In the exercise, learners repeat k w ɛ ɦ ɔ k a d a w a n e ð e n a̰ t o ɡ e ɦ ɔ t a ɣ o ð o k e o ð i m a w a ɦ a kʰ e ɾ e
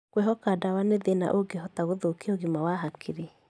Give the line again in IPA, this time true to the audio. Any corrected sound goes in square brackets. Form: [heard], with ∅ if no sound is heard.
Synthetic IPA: k w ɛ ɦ ɔ k a d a w a n e ð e n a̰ [ʔ] o ɡ e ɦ ɔ t a ɣ o ð o k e o [ɣ] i m a w a ɦ a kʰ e ɾ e